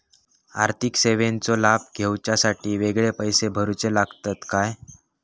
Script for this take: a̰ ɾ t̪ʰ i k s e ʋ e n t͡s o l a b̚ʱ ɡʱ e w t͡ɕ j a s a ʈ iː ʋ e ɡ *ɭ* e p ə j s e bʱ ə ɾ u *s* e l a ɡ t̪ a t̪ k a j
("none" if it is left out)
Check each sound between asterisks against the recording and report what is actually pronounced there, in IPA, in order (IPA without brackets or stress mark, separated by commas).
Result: ɭ, t͡s